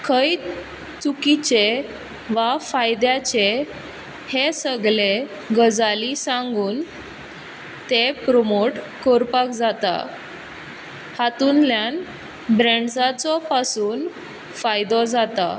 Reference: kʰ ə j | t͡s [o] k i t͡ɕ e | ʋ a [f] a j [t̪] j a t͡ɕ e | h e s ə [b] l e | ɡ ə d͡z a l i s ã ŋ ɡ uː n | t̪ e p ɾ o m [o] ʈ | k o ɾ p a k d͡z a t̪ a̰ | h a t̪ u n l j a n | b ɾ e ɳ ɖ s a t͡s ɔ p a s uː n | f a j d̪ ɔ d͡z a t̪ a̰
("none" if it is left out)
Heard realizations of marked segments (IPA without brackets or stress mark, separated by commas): u, f, d̪, ɡ, o